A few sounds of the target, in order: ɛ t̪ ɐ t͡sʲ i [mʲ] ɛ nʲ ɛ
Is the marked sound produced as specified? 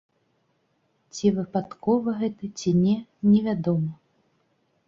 no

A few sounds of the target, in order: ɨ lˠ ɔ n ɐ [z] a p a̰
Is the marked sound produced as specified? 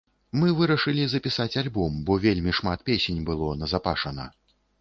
yes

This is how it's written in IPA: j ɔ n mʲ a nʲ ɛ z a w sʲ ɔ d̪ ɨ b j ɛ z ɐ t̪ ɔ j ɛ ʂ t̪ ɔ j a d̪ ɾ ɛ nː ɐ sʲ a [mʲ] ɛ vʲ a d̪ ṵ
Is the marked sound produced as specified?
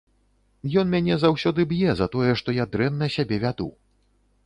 no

